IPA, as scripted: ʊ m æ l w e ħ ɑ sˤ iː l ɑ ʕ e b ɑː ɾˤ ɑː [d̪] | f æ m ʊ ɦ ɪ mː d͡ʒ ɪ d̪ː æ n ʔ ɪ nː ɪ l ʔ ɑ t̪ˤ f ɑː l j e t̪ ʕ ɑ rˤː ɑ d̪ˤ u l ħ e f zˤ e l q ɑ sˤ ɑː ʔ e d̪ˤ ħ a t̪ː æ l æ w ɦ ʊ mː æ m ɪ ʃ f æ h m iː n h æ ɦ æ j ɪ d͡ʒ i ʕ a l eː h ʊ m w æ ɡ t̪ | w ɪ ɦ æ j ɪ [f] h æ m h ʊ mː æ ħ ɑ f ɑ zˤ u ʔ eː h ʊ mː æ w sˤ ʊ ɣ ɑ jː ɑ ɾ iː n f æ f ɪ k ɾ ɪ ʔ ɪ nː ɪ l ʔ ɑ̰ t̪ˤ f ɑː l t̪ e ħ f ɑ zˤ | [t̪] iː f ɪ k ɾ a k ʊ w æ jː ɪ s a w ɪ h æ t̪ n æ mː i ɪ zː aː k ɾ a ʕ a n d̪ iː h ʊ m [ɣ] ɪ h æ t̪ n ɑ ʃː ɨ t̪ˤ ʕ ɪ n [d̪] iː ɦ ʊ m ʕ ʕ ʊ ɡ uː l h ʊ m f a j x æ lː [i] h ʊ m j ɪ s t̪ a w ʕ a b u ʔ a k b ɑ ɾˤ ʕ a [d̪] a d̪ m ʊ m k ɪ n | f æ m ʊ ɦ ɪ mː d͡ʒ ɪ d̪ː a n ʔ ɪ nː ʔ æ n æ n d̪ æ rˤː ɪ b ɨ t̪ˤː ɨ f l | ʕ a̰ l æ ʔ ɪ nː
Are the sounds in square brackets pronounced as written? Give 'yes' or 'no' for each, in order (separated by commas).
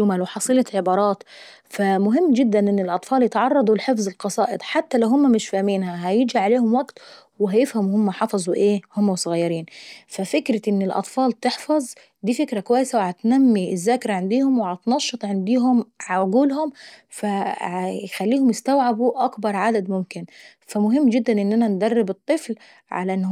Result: no, yes, no, no, yes, no, yes